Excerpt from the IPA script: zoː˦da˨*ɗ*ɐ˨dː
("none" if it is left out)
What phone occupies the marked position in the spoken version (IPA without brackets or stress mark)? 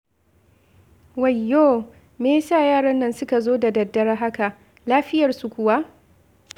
d